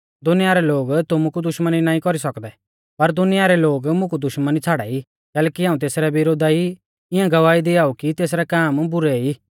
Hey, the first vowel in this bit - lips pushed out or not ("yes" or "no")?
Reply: yes